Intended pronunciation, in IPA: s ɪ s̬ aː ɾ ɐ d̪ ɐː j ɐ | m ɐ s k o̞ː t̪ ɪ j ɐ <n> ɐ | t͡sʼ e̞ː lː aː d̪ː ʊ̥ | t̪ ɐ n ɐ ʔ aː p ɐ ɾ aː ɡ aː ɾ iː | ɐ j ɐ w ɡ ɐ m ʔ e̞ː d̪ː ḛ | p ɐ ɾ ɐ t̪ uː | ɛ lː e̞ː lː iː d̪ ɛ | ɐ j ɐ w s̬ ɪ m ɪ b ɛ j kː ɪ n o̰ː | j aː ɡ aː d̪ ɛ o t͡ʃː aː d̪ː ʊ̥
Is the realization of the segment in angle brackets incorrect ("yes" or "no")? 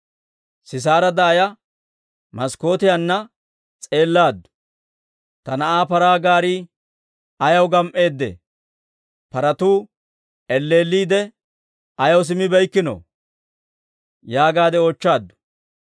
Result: yes